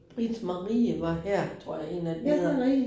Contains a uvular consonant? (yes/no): yes